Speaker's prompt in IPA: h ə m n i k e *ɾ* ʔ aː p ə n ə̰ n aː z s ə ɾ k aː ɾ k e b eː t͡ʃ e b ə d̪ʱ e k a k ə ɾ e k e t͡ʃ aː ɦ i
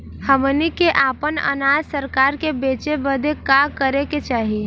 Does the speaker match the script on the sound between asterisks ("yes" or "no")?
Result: no